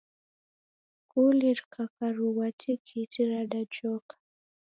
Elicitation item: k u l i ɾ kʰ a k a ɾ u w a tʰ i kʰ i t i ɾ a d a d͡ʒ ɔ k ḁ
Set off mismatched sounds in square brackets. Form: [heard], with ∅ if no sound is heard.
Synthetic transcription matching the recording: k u l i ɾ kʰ a k a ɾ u w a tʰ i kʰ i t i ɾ a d a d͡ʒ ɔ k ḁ

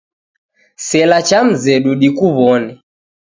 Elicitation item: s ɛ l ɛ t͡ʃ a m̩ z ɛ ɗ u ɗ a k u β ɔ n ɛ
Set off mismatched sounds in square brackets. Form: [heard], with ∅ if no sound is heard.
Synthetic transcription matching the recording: s ɛ l [a] t͡ʃ a m̩ z ɛ ɗ u ɗ [i] k u β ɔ n ɛ

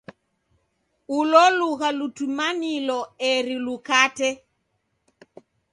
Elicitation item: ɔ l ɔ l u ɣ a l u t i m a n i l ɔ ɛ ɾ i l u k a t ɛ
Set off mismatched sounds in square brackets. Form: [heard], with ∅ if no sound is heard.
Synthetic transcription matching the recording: [u] l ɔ l u ɣ a l u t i m a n i l ɔ ɛ ɾ i l u k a t ɛ

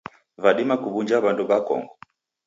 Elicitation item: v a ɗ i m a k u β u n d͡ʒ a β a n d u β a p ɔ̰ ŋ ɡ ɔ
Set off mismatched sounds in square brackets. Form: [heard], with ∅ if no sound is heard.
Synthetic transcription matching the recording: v a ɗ i m a k u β u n d͡ʒ a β a n d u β a [k] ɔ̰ ŋ ɡ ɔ

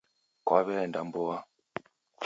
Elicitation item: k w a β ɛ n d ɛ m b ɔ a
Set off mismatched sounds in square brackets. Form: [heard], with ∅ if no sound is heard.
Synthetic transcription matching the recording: k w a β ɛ n d [a] m b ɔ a

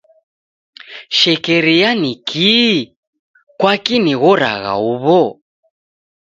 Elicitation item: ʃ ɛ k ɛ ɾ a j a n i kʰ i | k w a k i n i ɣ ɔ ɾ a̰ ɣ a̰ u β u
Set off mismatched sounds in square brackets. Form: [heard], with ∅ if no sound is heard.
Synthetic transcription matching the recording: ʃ ɛ k ɛ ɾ [i] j a n i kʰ i | k w a k i n i ɣ ɔ ɾ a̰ ɣ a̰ u β [ɔ]

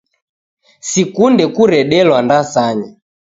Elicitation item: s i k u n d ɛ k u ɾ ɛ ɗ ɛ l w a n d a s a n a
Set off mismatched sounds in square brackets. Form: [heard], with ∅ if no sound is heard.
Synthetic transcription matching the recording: s i k u n d ɛ k u ɾ ɛ ɗ ɛ l w a n d a s a [ɲ] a

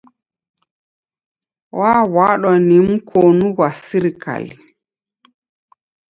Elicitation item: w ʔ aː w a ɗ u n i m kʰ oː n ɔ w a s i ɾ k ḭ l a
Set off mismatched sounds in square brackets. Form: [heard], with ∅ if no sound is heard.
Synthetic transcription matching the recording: w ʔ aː w a ɗ [ɔ] n i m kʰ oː n [u] w a s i ɾ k [a̰] l [i]

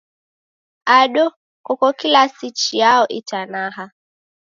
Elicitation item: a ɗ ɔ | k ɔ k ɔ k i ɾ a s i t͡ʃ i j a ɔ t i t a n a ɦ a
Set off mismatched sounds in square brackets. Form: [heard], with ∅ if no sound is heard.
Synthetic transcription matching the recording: a ɗ ɔ | k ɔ k ɔ k i [l] a s i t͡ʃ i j a ɔ [ʔ] i t a n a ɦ a

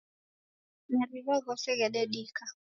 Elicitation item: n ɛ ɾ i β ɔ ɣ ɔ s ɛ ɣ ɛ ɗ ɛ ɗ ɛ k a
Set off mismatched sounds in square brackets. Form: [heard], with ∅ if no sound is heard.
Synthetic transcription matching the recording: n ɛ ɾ i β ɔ ɣ ɔ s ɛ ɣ ɛ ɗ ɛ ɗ [i] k a

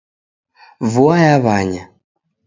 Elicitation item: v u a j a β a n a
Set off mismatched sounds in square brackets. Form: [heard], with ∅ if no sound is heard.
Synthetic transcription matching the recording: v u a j a β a [ɲ] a

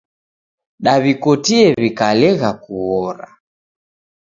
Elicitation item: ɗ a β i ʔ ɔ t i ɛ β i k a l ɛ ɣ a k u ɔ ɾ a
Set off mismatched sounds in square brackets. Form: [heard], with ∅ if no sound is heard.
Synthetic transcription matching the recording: ɗ a β i [k] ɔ t i ɛ β i k a l ɛ ɣ a k u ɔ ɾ a

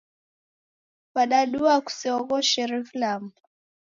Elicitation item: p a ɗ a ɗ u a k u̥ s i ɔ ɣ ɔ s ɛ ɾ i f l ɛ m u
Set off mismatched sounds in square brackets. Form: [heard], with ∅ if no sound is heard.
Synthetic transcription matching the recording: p a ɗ a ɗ u a k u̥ s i ɔ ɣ ɔ [ʃ] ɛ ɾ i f l [a] m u

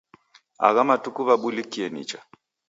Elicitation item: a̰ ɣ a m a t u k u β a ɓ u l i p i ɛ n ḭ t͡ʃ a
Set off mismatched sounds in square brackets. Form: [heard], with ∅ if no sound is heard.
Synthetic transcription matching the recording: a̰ ɣ a m a t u k u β a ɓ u l i [k] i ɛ n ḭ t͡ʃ a

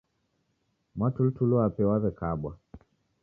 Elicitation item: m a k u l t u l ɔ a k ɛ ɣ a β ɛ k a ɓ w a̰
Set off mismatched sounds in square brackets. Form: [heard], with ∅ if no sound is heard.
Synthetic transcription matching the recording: m a [t] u l t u l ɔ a [p] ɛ [w] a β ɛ k a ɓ w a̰

